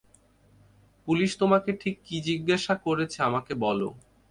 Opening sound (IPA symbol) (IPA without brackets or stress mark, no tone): p